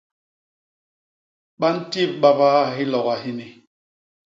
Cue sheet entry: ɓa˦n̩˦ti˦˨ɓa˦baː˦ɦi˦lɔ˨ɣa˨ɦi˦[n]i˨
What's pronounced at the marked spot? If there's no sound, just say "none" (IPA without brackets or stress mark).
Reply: n